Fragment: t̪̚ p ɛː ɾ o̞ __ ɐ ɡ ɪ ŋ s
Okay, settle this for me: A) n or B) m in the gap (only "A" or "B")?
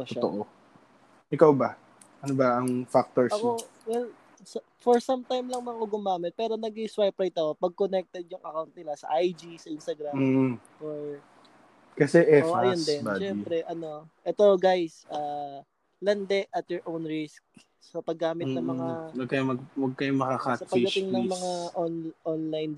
A